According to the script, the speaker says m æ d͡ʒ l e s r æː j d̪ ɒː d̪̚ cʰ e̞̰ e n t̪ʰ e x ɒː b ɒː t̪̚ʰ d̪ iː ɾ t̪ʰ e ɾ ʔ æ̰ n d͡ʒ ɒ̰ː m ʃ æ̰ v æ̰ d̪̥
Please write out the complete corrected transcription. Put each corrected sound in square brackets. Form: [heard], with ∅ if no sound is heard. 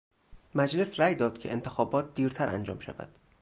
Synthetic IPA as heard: m æ d͡ʒ l e s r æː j d̪ ɒː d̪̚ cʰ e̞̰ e n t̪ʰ e x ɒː b ɒː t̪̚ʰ d̪ iː ɾ t̪ʰ [æ] ɾ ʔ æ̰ n d͡ʒ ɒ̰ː m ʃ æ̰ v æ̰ d̪̥